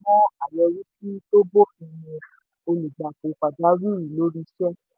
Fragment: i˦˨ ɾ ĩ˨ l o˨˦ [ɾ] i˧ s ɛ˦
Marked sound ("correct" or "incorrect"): correct